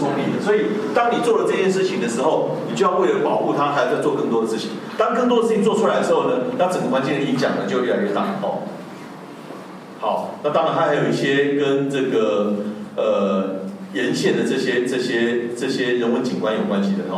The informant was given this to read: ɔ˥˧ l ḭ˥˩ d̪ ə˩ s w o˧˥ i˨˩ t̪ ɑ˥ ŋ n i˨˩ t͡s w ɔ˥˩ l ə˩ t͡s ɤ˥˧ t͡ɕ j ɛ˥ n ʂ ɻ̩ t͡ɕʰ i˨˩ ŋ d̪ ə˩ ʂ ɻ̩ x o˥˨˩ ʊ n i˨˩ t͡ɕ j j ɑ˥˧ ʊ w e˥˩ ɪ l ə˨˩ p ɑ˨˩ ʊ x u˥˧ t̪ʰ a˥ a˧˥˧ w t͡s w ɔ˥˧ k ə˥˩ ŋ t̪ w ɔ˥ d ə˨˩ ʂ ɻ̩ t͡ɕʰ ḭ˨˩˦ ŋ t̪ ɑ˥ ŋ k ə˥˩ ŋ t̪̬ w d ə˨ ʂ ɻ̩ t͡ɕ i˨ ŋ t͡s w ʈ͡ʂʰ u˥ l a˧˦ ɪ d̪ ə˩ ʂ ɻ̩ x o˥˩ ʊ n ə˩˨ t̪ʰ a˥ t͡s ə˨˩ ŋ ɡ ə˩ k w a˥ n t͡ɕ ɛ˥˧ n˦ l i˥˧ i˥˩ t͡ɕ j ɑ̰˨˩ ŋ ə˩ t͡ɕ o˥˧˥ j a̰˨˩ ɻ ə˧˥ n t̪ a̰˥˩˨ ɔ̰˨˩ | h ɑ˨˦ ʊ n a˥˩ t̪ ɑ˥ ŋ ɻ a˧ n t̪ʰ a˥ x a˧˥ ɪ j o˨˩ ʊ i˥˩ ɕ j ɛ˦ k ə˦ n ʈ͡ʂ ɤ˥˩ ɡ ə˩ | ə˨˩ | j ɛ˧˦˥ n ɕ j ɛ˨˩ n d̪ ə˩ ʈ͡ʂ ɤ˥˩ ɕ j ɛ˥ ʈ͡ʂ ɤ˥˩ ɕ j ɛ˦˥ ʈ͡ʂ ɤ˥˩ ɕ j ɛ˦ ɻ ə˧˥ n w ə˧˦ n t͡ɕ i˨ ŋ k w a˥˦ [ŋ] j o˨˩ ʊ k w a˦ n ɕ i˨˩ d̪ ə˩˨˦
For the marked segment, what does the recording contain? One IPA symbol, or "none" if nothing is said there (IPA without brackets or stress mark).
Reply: n